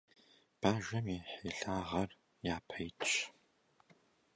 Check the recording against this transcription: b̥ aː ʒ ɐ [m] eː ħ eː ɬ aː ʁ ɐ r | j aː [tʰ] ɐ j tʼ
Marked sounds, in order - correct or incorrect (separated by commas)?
correct, incorrect